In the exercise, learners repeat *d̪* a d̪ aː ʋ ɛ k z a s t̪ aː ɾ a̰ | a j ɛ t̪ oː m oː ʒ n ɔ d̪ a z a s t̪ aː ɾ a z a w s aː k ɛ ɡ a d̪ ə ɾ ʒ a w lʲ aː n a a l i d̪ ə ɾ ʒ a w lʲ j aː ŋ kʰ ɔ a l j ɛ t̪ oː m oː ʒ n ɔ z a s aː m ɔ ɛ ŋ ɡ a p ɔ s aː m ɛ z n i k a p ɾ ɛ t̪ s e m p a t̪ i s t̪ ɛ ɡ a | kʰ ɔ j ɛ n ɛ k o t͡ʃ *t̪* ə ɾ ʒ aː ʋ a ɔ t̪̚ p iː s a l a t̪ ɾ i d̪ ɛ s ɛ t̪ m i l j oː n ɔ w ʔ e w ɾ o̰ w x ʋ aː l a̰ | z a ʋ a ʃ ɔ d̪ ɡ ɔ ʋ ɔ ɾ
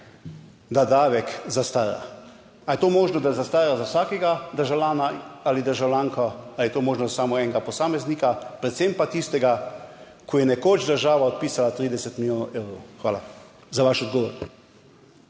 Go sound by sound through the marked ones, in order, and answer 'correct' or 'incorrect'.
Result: correct, incorrect: d̪

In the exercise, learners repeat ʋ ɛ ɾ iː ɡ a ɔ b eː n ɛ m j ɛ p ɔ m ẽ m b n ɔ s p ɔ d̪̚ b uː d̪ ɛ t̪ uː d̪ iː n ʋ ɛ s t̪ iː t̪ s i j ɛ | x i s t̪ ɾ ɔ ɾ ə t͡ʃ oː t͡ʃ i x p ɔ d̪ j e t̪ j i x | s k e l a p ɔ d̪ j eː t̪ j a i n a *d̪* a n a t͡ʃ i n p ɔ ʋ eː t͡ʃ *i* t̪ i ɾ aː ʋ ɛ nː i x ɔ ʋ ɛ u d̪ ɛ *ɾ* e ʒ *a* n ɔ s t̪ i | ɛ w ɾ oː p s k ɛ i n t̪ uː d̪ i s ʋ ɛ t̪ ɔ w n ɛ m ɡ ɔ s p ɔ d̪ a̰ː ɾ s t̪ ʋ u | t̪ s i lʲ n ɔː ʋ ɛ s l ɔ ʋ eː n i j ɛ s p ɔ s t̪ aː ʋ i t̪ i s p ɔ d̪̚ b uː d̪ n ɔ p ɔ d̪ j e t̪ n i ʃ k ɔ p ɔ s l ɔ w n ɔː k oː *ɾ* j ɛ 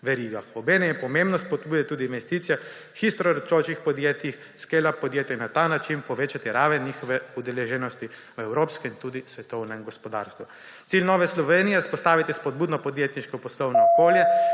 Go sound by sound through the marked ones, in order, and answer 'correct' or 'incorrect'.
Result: incorrect: t̪, incorrect: a, incorrect: l, incorrect: ɛ, incorrect: l

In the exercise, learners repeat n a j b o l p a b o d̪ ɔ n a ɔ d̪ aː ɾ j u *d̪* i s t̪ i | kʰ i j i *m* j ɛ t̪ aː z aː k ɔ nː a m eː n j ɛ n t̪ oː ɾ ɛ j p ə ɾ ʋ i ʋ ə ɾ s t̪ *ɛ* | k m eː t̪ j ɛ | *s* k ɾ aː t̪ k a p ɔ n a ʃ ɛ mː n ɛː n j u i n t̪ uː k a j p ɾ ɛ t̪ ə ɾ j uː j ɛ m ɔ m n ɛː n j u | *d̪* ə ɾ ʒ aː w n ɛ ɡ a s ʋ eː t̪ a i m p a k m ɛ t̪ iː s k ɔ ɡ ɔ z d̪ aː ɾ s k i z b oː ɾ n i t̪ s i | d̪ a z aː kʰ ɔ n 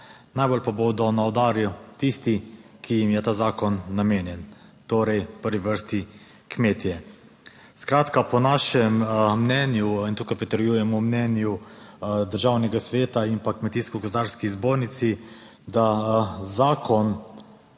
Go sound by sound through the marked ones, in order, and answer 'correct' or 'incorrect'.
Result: incorrect: t̪, correct, incorrect: i, correct, correct

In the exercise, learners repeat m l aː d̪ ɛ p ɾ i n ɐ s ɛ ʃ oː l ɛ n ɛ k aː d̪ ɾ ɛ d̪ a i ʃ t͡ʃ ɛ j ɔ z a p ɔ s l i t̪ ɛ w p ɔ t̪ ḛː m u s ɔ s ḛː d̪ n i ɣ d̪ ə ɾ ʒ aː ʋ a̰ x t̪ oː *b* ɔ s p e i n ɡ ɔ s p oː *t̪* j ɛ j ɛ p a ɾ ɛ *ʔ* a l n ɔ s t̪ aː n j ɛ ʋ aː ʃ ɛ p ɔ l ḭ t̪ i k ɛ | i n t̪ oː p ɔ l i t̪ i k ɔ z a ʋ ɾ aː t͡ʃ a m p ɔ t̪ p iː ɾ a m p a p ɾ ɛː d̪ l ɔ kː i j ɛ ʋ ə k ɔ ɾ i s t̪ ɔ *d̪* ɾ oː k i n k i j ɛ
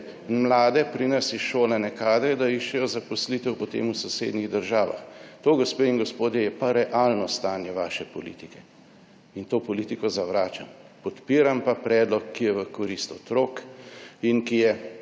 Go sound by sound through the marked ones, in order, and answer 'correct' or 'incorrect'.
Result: incorrect: ɡ, incorrect: d̪, correct, incorrect: t̪

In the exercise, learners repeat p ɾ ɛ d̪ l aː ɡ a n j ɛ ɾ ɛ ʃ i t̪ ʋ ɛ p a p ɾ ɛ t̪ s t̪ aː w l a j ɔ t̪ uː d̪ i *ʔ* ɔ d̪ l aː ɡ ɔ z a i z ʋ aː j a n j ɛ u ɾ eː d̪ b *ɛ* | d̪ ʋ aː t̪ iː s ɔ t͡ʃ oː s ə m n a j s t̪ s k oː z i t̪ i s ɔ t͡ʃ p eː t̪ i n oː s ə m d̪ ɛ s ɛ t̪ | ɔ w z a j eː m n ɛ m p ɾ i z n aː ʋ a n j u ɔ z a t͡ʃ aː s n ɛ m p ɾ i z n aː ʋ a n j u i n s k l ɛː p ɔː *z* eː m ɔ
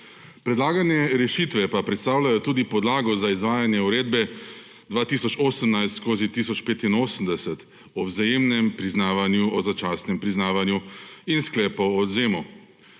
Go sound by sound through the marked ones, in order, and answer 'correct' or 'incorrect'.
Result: incorrect: p, correct, correct

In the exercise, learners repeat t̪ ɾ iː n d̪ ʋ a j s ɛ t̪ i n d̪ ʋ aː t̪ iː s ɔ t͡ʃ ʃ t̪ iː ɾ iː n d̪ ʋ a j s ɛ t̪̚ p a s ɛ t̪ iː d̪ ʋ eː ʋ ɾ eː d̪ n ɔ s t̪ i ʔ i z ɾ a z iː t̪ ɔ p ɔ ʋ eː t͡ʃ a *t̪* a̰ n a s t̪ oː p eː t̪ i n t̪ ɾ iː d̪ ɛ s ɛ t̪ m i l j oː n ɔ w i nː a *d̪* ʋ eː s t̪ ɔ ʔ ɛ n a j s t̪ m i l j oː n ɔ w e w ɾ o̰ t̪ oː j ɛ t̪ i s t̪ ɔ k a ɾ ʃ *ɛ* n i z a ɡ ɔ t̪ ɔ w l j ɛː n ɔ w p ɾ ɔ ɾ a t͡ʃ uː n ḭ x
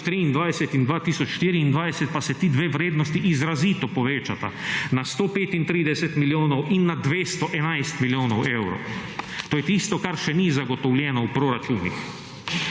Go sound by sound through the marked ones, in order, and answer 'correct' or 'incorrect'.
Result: correct, correct, correct

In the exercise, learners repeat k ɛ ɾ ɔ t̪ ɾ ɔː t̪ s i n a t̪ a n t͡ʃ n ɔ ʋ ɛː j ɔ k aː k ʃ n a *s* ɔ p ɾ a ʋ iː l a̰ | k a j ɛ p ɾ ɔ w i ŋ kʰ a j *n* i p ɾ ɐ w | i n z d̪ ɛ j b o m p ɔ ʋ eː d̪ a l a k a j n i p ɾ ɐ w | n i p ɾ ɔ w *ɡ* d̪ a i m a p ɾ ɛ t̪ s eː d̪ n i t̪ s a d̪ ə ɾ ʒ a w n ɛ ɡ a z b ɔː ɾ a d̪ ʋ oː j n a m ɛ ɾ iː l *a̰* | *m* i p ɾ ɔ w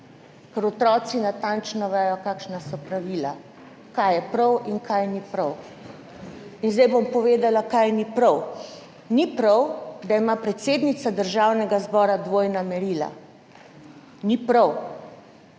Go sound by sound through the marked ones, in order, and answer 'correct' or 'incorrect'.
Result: correct, correct, correct, correct, incorrect: n

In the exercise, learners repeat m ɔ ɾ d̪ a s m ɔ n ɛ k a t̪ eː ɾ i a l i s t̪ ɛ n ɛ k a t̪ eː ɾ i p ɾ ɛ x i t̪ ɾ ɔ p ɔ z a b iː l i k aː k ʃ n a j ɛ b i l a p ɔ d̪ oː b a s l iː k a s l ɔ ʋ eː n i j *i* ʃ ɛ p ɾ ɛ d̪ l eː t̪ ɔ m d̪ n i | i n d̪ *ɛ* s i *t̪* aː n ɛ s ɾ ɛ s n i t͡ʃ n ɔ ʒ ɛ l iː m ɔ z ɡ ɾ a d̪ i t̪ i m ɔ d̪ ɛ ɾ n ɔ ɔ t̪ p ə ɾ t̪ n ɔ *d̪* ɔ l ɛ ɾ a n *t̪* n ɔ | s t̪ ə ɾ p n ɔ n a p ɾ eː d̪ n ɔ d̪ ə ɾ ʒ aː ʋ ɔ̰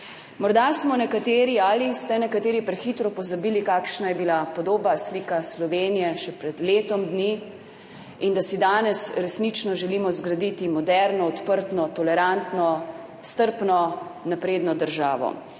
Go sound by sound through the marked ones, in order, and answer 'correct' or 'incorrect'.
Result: incorrect: ɛ, incorrect: a, incorrect: d̪, incorrect: t̪, correct

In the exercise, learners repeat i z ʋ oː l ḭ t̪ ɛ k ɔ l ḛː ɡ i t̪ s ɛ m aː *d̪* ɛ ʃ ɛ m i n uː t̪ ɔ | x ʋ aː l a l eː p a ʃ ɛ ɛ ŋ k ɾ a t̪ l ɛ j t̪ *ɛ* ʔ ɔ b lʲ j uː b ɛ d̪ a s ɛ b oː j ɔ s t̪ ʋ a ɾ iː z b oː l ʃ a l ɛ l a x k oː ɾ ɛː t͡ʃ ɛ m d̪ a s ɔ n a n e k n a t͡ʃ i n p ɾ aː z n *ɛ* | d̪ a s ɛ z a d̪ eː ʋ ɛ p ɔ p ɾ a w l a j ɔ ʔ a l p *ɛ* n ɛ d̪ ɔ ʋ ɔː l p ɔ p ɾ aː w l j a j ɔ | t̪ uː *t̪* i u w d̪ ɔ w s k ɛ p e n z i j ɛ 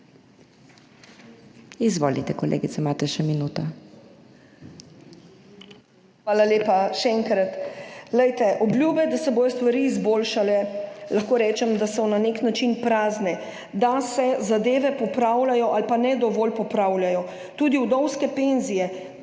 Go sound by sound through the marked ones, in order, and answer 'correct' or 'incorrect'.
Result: incorrect: t̪, correct, correct, incorrect: a, incorrect: d̪

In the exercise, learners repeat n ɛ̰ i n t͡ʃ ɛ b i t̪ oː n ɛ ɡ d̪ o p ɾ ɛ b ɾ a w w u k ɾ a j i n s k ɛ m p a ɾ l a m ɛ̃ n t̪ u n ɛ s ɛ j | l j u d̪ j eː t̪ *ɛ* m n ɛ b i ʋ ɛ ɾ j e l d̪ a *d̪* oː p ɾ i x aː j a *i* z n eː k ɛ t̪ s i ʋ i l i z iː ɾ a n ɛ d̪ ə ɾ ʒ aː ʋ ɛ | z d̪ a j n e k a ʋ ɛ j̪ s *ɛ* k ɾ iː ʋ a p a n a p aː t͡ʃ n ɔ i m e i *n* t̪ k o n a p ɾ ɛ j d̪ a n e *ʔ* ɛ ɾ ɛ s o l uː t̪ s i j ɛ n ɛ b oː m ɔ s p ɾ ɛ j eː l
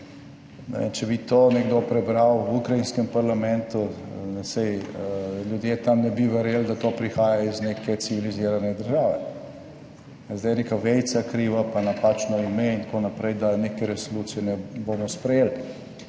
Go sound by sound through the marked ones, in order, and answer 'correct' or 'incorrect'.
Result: incorrect: a, incorrect: t̪, correct, incorrect: a, correct, incorrect: k

